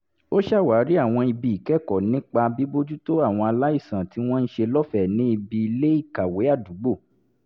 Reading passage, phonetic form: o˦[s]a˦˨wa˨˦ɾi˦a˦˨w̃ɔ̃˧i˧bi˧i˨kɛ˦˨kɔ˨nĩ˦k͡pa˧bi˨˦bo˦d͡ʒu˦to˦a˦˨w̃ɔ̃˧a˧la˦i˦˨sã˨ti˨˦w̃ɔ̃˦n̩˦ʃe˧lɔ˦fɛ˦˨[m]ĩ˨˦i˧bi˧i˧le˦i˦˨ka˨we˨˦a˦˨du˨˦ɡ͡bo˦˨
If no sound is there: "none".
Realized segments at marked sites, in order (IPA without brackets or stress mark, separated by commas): ʃ, n